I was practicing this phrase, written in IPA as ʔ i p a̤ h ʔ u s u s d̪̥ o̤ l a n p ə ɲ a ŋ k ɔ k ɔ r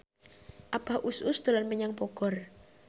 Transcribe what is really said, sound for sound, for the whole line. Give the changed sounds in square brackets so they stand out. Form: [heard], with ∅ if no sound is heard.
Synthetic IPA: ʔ [a] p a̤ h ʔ u s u s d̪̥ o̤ l a n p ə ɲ a ŋ [p] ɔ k ɔ r

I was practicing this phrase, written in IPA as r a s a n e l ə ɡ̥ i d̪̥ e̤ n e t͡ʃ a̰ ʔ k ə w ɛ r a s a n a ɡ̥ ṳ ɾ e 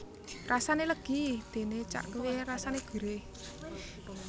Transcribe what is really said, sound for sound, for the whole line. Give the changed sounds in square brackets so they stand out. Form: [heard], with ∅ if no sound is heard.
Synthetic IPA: r a s a n e l ə ɡ̥ i d̪̥ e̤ n e t͡ʃ a̰ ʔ k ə w [e] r a s a n [e] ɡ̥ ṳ ɾ e

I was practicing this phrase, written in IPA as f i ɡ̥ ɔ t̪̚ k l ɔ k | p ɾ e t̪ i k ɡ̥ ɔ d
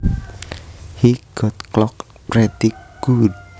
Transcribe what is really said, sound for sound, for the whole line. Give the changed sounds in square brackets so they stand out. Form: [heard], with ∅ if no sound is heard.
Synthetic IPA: [h] i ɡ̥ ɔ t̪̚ k l ɔ k | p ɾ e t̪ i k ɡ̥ [u] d

